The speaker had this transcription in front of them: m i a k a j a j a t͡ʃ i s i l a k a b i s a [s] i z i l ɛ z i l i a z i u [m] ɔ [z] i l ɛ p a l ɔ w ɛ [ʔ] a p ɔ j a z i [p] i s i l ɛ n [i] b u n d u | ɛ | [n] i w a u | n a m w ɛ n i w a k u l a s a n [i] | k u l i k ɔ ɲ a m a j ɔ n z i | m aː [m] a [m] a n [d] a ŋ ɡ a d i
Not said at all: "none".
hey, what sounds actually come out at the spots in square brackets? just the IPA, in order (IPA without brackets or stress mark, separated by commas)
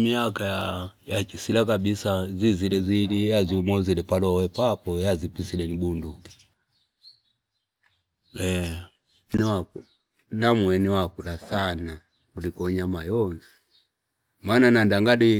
z, m, z, p, p, i, n, a, n, n, d